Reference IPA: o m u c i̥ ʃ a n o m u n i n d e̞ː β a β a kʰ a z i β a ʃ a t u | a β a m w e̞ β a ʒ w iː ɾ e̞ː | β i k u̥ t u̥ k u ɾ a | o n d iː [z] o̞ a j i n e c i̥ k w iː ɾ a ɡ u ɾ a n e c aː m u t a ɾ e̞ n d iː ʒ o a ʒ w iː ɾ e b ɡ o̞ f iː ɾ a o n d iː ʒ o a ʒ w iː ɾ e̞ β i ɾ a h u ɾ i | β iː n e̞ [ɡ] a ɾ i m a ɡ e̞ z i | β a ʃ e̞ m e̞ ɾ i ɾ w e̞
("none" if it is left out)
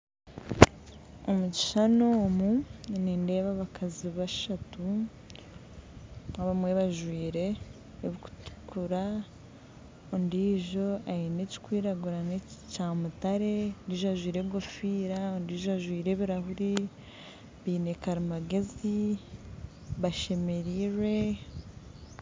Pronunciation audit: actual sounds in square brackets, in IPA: ʒ, k

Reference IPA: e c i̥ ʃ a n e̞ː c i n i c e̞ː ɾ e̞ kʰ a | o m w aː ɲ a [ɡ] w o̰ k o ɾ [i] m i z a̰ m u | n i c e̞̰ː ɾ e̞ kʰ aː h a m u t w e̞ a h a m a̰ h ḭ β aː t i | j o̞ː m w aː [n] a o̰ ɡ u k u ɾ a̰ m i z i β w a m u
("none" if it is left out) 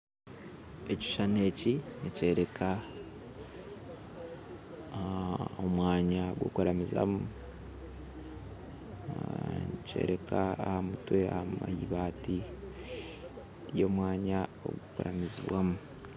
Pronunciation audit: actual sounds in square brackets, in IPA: ɡ, a, ɲ

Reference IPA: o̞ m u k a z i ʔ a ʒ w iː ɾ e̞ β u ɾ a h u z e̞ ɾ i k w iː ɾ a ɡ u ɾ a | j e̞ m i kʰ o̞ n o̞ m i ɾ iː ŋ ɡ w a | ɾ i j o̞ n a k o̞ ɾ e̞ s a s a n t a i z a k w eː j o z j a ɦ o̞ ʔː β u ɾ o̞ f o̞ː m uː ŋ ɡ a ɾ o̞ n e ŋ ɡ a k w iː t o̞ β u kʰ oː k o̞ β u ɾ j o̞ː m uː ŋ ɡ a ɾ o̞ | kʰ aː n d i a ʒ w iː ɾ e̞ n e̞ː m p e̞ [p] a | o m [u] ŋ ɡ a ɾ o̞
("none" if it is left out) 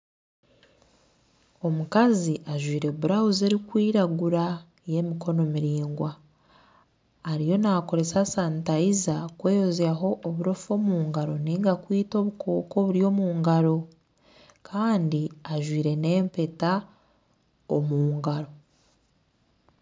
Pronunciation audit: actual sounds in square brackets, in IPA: t, uː

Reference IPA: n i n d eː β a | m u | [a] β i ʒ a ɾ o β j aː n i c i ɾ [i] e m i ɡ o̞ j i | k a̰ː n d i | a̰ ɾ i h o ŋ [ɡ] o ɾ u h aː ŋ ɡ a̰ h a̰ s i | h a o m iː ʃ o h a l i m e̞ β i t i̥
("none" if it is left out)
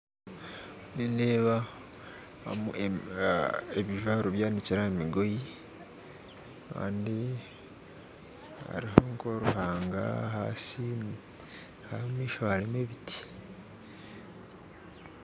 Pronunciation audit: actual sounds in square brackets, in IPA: e, a, k

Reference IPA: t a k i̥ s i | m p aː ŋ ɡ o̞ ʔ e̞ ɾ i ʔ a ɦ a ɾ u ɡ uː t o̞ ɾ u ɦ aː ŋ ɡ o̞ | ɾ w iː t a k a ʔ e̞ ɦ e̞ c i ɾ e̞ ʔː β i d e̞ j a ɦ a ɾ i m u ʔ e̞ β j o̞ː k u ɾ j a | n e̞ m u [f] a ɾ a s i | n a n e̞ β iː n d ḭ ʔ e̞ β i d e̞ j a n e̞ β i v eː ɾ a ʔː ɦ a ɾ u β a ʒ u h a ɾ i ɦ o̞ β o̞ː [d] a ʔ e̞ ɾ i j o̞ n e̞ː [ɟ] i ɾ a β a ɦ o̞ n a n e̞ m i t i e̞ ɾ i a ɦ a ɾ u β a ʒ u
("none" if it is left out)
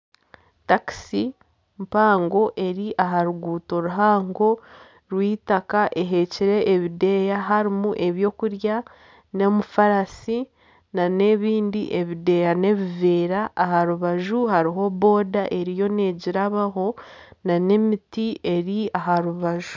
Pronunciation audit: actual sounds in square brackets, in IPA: f, d, ɟ

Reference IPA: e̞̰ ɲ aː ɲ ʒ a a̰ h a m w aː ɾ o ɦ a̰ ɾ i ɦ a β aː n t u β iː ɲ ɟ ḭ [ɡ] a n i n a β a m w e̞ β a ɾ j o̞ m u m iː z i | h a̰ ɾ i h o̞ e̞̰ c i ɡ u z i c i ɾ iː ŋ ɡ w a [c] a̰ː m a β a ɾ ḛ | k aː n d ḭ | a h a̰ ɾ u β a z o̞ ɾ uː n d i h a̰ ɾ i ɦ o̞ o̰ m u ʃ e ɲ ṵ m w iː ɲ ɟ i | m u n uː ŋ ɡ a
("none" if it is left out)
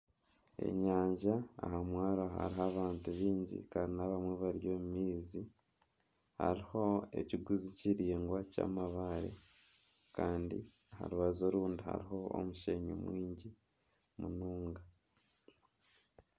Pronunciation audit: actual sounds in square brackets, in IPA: k, c

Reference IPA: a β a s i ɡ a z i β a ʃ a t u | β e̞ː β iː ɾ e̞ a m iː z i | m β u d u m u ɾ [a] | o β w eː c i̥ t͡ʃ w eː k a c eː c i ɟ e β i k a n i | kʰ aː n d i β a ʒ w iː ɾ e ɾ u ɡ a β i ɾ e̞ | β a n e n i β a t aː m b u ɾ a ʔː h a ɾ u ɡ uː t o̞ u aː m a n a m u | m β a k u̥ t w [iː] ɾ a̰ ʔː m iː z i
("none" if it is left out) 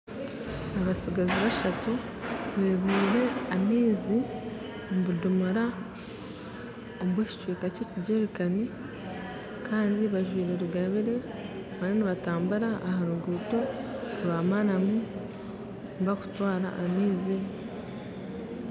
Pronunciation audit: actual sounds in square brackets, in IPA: a, aː

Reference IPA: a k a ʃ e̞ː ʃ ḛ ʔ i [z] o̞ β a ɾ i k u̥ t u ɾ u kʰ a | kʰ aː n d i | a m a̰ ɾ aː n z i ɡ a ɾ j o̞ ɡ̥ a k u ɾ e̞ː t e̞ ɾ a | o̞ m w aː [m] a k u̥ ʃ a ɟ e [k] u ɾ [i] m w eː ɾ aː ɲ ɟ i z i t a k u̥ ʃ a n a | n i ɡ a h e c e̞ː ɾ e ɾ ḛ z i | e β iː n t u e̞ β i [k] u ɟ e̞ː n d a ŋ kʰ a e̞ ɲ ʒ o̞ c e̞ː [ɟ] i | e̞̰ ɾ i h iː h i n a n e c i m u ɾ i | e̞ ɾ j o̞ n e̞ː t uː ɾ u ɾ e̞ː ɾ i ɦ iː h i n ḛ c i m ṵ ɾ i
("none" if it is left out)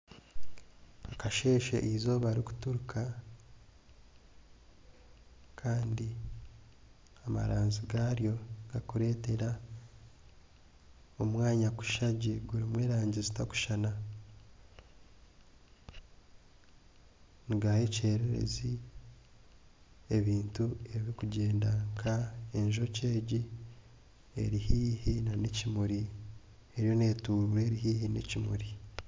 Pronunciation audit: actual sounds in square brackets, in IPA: z, ɲ, ɡ, i, k, ɟ

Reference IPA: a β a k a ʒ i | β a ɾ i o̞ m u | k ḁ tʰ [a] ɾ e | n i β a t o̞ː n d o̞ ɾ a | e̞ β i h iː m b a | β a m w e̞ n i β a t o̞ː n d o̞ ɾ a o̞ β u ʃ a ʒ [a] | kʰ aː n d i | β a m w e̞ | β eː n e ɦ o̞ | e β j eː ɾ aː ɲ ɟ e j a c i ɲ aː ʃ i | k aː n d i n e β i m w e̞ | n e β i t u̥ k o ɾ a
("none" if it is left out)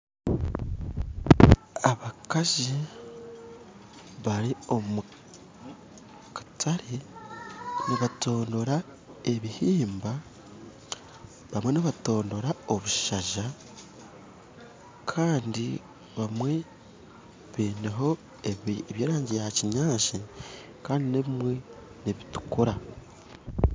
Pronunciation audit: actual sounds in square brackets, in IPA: a, a

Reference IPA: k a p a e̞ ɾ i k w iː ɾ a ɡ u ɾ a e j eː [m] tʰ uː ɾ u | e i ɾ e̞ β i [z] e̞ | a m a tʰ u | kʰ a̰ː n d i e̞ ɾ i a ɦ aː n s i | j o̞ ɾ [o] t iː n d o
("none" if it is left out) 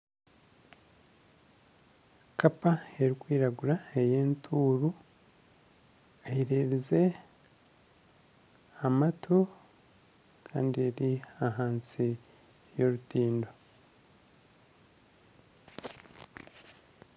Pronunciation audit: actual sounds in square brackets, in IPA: n, z, u

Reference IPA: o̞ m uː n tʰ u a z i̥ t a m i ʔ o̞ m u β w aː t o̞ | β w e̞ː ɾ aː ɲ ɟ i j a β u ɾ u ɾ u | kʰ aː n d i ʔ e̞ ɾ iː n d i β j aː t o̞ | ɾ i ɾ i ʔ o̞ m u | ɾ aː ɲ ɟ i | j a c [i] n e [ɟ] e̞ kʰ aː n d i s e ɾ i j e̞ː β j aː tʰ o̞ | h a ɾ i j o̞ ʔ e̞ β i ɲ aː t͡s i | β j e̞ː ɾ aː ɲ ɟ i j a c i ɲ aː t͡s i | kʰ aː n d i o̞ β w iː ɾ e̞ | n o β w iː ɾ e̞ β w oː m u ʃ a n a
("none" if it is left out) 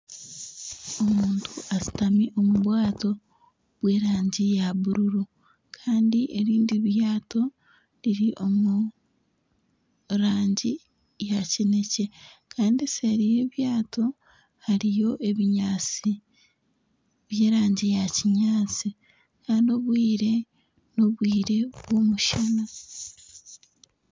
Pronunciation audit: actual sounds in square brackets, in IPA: i, c

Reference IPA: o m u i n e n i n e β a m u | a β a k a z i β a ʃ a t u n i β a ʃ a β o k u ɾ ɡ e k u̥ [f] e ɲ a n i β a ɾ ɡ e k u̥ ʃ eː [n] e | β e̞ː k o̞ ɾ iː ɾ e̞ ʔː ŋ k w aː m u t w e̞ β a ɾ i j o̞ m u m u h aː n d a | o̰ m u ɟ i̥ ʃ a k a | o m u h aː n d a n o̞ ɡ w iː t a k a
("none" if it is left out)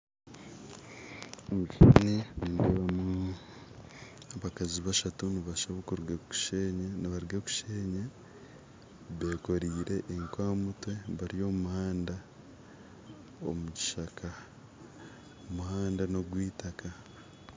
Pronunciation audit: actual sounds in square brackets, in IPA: ʃ, ɲ

